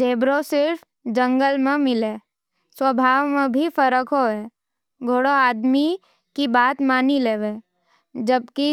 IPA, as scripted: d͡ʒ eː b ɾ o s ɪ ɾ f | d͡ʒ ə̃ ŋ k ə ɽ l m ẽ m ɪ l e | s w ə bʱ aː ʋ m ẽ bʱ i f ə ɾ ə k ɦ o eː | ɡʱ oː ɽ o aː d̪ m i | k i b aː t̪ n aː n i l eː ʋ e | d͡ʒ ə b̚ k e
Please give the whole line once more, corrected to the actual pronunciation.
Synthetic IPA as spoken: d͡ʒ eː b ɾ o s ɪ ɾ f | d͡ʒ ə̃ ŋ ɡ ə l m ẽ m ɪ l e | s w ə bʱ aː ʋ m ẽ bʱ i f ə ɾ ə k ɦ o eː | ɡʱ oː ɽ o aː d̪ m i | k i b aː t̪ m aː n i l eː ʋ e | d͡ʒ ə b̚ k i